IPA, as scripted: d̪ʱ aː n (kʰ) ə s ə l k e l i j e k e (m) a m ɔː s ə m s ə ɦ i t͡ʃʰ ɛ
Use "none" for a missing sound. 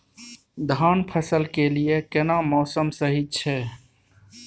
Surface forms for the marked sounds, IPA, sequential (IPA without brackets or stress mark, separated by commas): pʰ, n